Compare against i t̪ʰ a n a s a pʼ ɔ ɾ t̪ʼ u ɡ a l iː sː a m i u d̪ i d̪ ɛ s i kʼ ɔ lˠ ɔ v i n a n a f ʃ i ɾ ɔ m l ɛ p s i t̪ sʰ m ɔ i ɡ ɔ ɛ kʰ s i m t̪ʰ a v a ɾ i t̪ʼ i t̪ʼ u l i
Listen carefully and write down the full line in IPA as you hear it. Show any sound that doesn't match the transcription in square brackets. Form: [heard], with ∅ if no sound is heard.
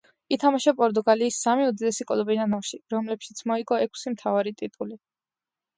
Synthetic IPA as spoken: i t̪ʰ a [m] a [ʃ] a pʼ ɔ ɾ t̪ʼ u ɡ a l iː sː a m i u d̪ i d̪ ɛ s i kʼ ɔ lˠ ɔ [b] i n a n a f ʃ i ɾ ɔ m l ɛ p [ʃ] i t̪ sʰ m ɔ i ɡ ɔ ɛ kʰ s i m t̪ʰ a v a ɾ i t̪ʼ i t̪ʼ u l i